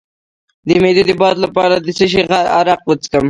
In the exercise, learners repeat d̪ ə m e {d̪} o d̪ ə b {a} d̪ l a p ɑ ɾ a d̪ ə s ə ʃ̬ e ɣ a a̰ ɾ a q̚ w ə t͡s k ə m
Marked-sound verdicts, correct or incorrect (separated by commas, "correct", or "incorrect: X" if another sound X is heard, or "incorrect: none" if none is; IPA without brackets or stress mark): correct, incorrect: ɑ